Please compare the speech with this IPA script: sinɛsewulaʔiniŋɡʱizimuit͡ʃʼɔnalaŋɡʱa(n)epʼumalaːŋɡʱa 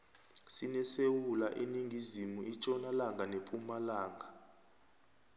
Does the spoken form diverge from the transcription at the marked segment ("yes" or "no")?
no